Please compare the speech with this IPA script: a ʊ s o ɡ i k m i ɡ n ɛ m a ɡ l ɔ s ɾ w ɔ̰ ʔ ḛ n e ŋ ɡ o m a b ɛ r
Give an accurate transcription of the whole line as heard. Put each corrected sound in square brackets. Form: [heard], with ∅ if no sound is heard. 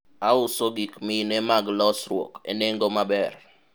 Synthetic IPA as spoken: a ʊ s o ɡ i k m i [∅] n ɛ m a ɡ l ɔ s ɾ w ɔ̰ [k] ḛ n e ŋ ɡ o m a b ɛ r